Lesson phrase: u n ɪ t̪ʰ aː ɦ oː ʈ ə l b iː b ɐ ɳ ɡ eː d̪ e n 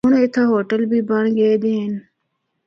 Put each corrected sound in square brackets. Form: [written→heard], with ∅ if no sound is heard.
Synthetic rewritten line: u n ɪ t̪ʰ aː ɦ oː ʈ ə l b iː b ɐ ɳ ɡ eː d̪ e n